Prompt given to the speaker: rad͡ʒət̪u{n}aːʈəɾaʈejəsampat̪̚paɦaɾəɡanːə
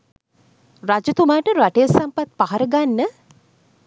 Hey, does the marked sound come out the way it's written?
no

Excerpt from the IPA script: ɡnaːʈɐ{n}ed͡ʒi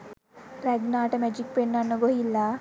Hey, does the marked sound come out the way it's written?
no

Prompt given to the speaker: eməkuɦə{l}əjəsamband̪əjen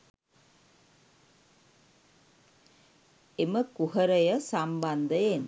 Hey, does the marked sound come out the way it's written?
no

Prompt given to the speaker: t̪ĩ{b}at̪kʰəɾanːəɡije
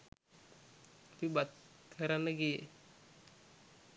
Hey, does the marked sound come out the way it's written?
yes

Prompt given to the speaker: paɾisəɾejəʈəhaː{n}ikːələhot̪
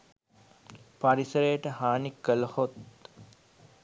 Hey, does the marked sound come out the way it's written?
yes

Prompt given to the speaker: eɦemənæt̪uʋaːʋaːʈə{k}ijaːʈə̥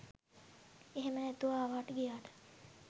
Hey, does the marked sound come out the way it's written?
no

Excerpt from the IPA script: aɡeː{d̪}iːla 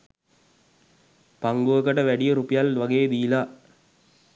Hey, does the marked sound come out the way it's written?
yes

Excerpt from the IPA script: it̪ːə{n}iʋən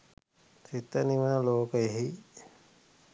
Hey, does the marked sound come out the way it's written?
yes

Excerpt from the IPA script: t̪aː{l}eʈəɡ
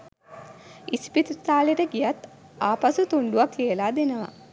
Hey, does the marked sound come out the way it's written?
yes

